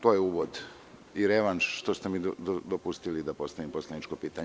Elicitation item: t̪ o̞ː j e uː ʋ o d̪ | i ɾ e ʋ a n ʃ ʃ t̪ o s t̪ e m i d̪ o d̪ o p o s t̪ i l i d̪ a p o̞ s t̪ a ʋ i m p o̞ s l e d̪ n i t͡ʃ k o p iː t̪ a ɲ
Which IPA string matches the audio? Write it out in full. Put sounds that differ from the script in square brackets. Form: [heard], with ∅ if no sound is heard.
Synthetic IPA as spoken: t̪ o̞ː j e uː ʋ o d̪ | i ɾ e ʋ a n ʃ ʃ t̪ o s t̪ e m i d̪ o d̪ o p [u] s t̪ i l i d̪ a p o̞ s t̪ a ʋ i m p o̞ s l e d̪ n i t͡ʃ k o p iː t̪ a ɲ